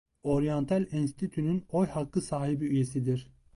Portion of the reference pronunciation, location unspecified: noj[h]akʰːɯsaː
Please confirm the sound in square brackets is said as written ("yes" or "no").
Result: yes